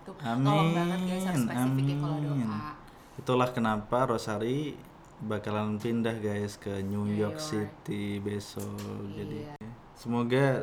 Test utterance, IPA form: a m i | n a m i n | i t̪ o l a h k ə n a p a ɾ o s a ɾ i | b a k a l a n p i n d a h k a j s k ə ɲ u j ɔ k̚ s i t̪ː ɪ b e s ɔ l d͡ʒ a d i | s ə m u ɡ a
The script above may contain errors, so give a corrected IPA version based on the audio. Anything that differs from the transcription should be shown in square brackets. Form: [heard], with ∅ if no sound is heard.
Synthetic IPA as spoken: a m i | n a m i n | i t̪ [u] l a h k ə n a p a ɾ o s a ɾ i | b a k a l a n p i n d a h [ɡ] a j s k ə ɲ u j ɔ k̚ s i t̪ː [i] b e s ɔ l d͡ʒ a d i | s ə m [o] ɡ a